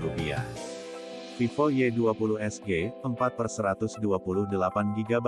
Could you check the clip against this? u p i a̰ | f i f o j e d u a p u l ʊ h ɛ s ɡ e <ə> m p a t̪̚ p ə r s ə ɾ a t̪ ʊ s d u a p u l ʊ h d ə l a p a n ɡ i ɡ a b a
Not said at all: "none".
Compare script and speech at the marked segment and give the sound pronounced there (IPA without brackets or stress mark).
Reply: ə